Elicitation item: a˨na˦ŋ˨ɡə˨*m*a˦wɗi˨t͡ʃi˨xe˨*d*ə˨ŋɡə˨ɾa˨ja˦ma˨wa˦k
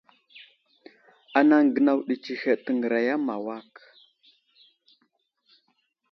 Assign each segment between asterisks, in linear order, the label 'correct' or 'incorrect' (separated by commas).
incorrect, incorrect